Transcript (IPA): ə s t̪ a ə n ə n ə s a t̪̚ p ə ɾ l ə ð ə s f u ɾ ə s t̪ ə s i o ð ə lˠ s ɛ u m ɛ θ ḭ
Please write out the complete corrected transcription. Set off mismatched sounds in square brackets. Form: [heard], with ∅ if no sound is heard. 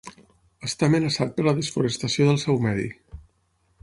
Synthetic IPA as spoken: ə s t̪ a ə [m] ə n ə s a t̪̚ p ə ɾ l ə ð ə s f u ɾ ə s t̪ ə s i o ð ə lˠ s ɛ [w] m ɛ [ð] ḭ